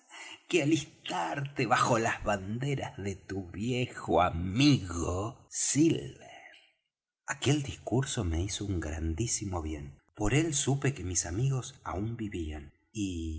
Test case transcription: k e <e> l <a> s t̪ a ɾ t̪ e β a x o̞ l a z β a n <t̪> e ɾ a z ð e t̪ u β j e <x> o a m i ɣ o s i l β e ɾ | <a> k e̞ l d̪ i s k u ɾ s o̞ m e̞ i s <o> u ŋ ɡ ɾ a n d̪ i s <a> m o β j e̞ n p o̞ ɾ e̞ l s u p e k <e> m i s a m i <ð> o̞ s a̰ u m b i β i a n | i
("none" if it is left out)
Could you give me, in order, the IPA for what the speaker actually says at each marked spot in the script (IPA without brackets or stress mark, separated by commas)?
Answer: a, i, d̪, x, a, o, i, e, ɣ